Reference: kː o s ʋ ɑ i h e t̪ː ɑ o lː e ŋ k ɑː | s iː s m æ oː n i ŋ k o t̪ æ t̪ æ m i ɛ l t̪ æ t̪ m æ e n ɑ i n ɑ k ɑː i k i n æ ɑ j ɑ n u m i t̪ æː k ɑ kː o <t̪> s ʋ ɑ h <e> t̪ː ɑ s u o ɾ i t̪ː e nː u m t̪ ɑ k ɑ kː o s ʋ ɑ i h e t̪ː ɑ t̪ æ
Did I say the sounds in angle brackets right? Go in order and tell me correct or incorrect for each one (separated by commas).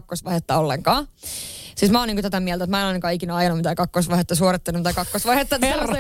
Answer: incorrect, correct